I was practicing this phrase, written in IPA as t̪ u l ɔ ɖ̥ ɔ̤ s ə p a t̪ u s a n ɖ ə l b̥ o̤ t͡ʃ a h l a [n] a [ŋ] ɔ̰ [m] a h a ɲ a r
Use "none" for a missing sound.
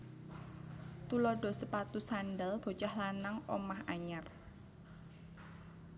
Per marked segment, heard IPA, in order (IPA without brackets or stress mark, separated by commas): n, ŋ, m